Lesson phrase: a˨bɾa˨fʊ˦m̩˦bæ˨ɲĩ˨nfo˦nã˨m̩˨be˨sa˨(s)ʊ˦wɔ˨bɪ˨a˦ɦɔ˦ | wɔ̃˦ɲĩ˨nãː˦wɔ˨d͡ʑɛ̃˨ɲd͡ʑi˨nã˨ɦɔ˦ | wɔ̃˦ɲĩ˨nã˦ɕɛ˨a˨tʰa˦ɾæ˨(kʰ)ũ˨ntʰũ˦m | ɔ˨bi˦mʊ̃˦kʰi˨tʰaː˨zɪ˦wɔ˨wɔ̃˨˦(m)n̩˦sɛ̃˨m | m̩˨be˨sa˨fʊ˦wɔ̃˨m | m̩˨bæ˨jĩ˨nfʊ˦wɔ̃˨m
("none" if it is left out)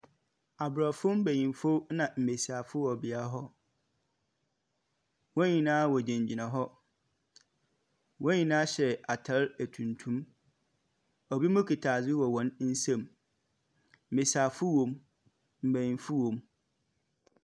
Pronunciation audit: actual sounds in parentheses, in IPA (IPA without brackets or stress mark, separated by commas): f, tʰ, n